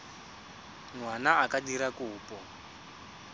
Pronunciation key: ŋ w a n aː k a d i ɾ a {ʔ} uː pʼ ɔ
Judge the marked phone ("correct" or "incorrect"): incorrect